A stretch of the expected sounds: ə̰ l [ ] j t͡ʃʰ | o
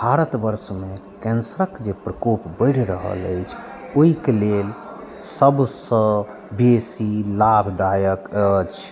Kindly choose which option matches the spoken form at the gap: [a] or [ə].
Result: ə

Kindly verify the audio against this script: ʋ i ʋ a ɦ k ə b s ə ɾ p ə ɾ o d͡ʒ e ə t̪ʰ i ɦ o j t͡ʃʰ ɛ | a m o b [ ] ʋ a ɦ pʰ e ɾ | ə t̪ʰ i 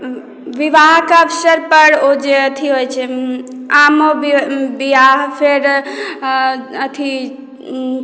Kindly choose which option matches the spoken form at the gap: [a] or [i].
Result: i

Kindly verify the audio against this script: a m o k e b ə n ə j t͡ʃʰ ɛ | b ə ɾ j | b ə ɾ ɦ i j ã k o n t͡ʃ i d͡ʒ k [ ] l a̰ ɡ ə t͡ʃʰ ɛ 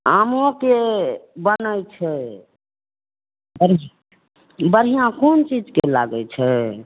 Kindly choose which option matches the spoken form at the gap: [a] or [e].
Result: e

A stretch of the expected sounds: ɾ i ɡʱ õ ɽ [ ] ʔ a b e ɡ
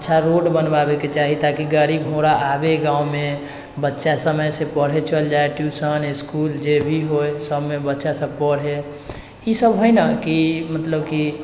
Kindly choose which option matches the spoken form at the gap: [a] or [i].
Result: a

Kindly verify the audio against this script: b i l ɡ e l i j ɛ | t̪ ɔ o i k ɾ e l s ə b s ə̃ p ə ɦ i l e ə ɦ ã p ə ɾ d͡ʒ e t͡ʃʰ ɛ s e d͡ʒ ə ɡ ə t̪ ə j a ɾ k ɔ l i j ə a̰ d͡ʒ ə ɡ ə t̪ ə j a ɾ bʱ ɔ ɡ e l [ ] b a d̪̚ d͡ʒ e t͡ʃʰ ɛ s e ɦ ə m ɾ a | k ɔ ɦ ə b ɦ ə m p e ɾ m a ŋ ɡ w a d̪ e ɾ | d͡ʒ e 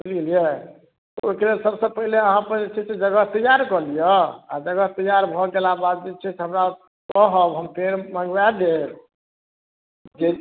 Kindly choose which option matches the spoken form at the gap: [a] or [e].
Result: a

